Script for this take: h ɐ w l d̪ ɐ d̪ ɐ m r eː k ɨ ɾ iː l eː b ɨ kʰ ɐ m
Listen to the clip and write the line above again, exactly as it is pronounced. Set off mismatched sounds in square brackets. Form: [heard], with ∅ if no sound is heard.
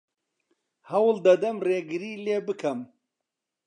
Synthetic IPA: h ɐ w l d̪ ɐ d̪ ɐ m r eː [ɡ] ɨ ɾ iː l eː b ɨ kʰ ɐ m